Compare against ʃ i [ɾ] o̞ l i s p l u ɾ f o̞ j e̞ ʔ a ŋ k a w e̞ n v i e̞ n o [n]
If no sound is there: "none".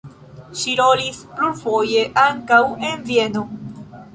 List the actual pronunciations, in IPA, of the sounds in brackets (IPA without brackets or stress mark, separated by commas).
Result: ɾ, none